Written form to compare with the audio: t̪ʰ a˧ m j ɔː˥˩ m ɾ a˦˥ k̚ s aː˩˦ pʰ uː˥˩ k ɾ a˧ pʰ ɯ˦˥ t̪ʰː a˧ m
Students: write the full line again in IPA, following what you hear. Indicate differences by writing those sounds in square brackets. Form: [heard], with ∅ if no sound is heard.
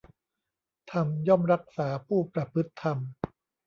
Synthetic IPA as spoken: t̪ʰ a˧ m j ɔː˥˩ m ɾ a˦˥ k̚ s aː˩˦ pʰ uː˥˩ [p] ɾ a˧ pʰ ɯ˦˥ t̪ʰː a˧ m